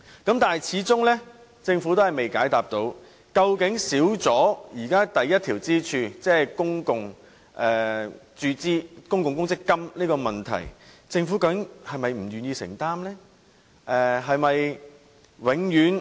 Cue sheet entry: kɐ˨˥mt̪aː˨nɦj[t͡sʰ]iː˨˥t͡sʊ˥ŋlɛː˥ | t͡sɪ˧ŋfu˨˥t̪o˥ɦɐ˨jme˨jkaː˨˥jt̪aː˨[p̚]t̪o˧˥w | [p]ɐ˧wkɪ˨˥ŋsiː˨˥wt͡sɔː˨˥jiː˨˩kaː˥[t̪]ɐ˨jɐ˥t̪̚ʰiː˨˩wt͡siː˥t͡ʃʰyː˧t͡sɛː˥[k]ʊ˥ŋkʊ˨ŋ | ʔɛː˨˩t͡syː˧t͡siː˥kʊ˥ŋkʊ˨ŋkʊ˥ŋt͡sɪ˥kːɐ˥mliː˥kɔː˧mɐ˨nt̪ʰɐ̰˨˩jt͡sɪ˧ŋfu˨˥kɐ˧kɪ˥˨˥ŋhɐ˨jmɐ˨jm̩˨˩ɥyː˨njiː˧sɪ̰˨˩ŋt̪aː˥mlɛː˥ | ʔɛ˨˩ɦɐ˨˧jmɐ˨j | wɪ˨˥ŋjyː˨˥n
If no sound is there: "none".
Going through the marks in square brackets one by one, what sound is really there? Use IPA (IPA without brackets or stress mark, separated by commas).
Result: t͡sʰ, p̚, k, t̪, k